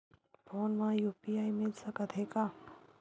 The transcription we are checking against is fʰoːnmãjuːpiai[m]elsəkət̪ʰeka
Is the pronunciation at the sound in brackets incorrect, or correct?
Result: correct